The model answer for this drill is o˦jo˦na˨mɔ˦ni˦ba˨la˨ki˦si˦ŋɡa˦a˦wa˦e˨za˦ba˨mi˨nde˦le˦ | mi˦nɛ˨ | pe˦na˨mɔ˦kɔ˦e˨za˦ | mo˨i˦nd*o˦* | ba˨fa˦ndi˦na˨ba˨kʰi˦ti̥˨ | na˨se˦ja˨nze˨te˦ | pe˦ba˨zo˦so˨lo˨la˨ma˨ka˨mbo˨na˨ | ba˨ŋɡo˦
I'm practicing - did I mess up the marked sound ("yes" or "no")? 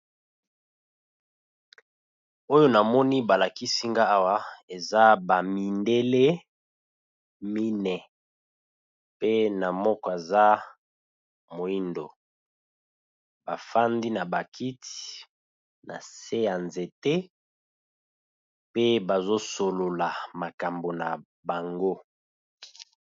yes